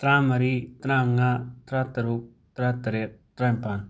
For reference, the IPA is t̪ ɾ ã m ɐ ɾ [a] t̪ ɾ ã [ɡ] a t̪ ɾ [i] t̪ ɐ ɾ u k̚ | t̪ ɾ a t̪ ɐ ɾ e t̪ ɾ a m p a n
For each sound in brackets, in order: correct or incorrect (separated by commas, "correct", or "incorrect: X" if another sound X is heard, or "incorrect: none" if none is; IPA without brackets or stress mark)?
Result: incorrect: i, incorrect: ŋ, incorrect: a